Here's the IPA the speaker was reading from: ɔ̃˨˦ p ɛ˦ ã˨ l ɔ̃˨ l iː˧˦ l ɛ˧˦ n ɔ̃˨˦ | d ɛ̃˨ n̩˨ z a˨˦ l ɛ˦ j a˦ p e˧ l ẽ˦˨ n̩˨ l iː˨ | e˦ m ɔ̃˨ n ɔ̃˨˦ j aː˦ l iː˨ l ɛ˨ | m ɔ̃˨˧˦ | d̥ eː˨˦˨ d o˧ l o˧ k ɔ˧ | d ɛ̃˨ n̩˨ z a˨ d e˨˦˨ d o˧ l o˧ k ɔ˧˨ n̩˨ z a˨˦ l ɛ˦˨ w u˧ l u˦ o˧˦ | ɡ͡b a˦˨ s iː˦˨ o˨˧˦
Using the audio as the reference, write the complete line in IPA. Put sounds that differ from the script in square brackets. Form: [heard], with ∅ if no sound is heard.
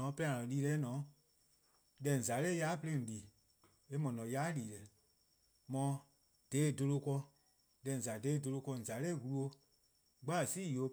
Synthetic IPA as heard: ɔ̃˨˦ p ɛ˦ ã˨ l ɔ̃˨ l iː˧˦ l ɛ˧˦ n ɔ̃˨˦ | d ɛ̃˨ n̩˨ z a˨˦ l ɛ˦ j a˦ p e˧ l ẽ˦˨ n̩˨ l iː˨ | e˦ m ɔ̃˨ n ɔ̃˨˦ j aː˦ l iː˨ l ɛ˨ | m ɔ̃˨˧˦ | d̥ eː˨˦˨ d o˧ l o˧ k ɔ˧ | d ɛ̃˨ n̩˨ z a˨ d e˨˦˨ d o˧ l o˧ k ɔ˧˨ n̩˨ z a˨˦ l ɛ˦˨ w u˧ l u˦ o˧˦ | ɡ͡b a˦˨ s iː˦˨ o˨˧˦